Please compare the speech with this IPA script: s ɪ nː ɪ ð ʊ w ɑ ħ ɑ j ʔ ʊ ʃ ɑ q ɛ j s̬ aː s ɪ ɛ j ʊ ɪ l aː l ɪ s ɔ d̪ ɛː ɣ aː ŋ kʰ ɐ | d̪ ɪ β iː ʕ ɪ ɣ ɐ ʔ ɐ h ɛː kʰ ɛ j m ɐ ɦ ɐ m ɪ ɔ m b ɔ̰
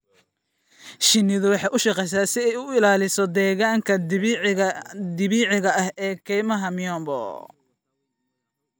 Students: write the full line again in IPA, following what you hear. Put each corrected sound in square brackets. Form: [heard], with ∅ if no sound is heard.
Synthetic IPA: [ʃ] ɪ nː ɪ ð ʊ w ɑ ħ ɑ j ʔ ʊ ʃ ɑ q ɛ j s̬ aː s ɪ ɛ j ʊ ɪ l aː l ɪ s ɔ d̪ ɛː ɣ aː ŋ kʰ ɐ | d̪ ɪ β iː ʕ ɪ ɣ ɐ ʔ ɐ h ɛː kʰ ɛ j m ɐ ɦ ɐ m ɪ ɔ m b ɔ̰